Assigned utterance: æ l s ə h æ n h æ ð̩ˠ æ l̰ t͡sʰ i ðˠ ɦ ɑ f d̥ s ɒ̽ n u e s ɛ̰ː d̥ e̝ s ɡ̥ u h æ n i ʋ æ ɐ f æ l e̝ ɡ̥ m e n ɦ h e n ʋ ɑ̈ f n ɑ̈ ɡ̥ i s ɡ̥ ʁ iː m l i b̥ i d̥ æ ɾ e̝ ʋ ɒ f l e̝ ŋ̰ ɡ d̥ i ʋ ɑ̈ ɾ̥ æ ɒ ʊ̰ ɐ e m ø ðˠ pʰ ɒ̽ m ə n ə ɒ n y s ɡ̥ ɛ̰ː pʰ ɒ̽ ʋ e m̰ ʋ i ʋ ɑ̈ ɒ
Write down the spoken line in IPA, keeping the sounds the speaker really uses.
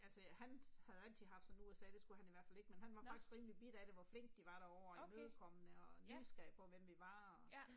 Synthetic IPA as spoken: æ l s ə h æ n h æ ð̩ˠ æ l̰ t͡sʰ i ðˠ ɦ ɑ f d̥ s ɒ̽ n u e s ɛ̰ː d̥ e̝ s ɡ̥ u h æ n i ʋ æ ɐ f æ l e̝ ɡ̥ m e n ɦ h æ n ʋ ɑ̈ f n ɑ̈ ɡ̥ i s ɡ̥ ʁ iː m l i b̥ i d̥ æ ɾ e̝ ʋ ɒ f l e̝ ŋ̰ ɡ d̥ i ʋ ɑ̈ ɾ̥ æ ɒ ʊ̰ ɐ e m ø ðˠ kʰ ɒ̽ m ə n ə ɒ n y s ɡ̥ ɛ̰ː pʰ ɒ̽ ʋ e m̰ ʋ i ʋ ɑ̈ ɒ